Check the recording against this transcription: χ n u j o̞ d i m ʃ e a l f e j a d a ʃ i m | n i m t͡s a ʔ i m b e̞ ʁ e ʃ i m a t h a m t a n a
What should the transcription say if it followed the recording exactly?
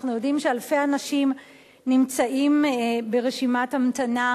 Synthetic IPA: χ n u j o̞ d i m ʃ e a l f e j a n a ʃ i m | n i m t͡s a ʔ i m b e̞ ʁ e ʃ i m a t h a m t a n a